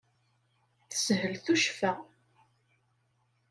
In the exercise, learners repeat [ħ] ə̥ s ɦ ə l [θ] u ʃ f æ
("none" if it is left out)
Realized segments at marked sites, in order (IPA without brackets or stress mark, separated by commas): θ, θ